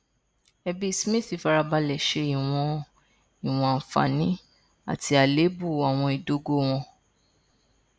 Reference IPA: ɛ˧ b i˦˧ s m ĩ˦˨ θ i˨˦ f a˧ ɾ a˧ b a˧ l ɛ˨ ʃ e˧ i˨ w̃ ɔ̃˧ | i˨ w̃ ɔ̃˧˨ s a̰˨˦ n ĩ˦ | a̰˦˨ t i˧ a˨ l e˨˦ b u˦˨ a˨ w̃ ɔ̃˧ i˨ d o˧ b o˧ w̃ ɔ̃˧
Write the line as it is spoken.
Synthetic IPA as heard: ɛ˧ b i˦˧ s m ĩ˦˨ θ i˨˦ f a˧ ɾ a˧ b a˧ l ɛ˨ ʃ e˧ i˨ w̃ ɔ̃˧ | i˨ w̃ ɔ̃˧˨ f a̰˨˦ n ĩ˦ | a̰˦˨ t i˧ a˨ l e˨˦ b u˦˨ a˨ w̃ ɔ̃˧ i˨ d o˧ ɡ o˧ w̃ ɔ̃˧